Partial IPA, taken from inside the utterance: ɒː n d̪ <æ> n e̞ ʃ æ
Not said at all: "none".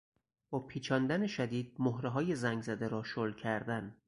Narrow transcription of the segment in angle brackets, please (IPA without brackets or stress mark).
æ